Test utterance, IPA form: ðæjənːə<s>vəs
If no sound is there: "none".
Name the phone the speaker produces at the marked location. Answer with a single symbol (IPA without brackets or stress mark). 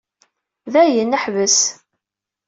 ħ